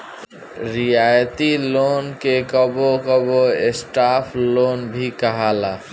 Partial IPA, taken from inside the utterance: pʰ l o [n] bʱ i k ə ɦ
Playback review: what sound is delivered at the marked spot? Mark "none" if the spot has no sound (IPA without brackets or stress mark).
n